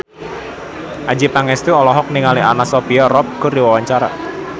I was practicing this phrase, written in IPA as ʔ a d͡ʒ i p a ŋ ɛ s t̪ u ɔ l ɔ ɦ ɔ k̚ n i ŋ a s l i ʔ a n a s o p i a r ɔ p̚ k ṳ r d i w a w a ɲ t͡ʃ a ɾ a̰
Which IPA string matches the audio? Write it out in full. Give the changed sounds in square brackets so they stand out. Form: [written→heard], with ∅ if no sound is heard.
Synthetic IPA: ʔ a d͡ʒ i p a ŋ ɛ s t̪ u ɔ l ɔ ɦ ɔ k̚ n i ŋ a [s→∅] l i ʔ a n a s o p i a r ɔ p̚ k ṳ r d i w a w a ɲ t͡ʃ a ɾ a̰

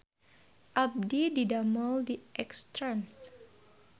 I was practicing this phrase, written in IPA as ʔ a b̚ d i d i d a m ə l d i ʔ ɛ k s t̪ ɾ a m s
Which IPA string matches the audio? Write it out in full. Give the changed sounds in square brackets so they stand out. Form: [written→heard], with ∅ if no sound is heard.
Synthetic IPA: ʔ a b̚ d i d i d a m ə l d i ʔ ɛ k s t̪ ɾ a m s

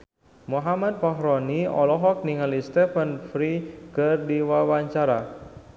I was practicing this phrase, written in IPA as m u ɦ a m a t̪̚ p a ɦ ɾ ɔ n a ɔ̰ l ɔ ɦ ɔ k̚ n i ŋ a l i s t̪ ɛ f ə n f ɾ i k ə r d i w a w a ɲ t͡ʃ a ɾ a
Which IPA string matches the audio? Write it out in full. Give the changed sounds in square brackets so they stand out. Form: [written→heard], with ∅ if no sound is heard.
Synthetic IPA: m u ɦ a m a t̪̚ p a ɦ ɾ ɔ n [a→i] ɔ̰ l ɔ ɦ ɔ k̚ n i ŋ a l i s t̪ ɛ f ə n f ɾ i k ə r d i w a w a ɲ t͡ʃ a ɾ a

